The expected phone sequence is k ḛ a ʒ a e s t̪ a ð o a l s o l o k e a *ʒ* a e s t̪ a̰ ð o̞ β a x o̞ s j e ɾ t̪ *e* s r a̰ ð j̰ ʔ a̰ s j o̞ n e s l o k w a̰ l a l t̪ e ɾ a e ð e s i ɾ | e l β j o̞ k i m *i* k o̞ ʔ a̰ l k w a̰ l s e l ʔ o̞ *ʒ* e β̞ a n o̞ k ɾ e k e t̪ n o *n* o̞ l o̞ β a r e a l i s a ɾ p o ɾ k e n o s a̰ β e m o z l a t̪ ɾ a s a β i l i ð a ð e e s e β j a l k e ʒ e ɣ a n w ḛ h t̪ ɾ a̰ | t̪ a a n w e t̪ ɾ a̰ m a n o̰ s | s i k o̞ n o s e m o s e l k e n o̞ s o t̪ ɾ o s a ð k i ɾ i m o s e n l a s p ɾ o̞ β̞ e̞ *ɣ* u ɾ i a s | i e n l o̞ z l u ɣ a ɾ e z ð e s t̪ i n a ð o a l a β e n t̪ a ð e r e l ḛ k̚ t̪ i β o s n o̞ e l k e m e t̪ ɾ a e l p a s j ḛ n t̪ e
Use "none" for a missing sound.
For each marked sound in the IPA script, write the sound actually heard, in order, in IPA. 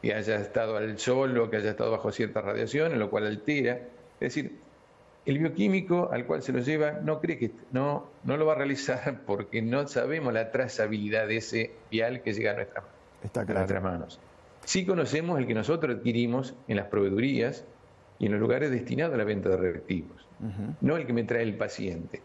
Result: ʒ, a, i, ʒ, n, ð

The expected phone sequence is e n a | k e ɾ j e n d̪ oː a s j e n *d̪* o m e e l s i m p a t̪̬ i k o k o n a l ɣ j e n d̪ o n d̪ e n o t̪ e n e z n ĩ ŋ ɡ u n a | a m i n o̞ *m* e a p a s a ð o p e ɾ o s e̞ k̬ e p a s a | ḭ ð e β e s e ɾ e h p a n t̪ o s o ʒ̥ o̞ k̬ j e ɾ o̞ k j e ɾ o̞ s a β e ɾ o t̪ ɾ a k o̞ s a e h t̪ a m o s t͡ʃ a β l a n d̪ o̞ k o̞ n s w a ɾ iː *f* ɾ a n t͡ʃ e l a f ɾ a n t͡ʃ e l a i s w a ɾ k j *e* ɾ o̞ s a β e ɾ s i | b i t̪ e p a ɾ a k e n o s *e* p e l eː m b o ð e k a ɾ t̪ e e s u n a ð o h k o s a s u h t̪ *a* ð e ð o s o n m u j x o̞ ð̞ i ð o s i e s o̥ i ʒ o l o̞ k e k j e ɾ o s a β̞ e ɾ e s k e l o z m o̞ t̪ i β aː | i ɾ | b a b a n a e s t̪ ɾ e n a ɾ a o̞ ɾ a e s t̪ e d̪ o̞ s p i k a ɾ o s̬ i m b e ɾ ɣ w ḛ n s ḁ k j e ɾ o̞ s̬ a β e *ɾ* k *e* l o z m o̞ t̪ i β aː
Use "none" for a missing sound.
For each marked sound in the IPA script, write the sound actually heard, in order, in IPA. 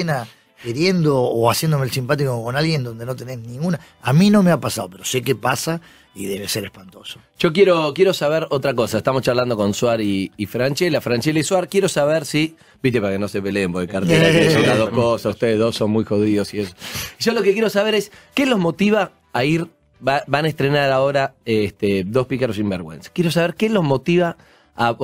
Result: d̪, m, f, e, e, e, ɾ, e

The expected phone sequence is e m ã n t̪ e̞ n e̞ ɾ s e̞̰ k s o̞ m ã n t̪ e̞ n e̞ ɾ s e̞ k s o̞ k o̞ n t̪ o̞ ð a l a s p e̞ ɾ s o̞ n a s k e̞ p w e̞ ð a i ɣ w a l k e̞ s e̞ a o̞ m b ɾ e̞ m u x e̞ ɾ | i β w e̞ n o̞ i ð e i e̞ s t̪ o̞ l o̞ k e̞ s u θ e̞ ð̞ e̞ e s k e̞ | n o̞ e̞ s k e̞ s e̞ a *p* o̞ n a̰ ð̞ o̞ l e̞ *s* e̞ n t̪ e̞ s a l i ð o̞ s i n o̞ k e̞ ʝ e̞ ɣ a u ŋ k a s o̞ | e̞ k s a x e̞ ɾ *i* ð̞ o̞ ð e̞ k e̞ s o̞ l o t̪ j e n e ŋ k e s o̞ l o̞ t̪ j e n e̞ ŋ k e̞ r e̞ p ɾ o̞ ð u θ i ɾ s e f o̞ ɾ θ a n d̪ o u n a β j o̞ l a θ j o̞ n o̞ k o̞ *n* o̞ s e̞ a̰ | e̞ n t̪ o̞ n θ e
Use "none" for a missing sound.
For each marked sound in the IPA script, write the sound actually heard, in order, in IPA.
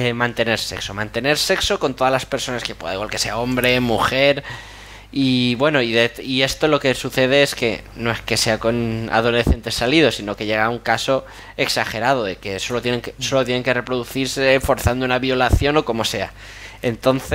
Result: k, θ, a, m

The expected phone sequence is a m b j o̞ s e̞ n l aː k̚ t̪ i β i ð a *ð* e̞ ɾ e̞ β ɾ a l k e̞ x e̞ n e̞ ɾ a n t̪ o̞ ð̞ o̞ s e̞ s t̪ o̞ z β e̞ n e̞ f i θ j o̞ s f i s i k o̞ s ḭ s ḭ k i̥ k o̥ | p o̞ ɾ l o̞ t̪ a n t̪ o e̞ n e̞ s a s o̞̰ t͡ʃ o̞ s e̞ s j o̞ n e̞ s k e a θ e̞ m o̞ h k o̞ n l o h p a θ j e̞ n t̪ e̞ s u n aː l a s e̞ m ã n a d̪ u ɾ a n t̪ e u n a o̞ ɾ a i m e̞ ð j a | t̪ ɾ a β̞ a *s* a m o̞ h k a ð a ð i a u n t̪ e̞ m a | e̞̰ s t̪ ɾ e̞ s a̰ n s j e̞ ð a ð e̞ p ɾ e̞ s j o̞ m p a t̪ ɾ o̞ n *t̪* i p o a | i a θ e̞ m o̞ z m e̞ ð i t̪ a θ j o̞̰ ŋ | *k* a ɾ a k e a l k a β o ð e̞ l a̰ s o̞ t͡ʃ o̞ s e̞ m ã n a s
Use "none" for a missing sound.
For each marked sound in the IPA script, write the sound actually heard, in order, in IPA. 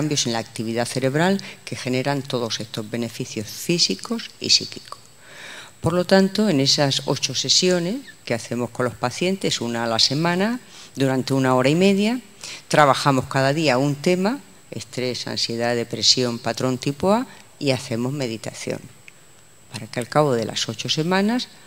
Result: θ, x, t̪, p

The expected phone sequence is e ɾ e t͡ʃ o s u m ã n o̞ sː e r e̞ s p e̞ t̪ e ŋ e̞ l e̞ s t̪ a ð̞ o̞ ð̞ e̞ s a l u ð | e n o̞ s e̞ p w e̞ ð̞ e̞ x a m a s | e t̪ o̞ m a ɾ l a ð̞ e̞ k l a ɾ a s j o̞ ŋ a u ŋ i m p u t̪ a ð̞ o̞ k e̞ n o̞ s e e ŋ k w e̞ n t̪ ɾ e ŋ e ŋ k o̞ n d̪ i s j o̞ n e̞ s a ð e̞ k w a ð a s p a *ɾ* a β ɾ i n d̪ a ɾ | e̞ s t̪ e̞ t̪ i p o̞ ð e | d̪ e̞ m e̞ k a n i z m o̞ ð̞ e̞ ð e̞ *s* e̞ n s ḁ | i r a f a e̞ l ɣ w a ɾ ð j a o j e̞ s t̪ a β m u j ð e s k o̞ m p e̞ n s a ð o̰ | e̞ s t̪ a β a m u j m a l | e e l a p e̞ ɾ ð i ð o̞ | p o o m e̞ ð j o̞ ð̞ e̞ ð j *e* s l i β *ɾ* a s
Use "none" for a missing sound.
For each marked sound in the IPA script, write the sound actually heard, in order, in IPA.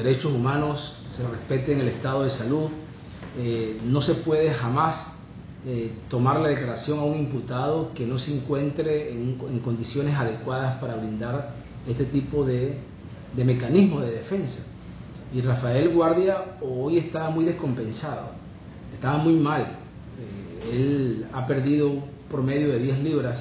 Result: ɾ, f, e, ɾ

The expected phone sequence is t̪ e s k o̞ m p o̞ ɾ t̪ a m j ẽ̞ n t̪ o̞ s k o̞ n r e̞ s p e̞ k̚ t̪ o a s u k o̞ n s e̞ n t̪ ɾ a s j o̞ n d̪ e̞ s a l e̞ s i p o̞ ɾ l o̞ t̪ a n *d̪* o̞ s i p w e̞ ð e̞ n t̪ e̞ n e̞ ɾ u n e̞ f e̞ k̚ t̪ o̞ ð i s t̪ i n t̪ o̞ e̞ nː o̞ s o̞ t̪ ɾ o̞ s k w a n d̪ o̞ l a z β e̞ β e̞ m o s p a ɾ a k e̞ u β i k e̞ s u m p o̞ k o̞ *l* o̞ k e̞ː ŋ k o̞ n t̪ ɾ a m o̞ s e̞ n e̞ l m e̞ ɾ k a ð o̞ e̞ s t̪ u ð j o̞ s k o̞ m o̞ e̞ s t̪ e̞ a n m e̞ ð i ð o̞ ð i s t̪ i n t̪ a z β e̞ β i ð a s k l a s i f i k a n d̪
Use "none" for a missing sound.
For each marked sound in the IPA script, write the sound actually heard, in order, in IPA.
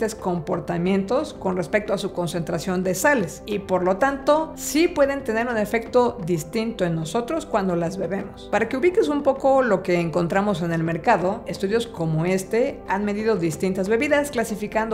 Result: t̪, l

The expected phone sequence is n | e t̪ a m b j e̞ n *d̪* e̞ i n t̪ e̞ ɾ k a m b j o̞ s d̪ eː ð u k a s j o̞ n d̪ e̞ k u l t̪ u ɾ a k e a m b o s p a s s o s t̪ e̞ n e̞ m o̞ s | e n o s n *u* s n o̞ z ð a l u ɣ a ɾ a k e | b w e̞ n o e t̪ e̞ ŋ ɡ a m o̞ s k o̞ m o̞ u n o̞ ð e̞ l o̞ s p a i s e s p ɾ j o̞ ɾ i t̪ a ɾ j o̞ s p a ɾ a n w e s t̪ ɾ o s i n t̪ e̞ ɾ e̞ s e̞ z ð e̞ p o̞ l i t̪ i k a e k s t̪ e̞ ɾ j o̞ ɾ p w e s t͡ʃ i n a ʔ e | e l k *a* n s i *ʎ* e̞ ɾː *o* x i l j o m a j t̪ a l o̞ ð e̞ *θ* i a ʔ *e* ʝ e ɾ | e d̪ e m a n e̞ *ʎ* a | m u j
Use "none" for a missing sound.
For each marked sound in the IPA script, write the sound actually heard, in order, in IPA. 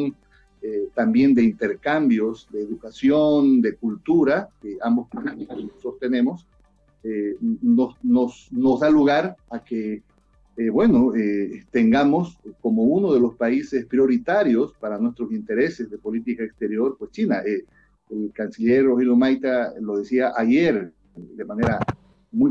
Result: d̪, o, a, ʎ, o, s, a, ɾ

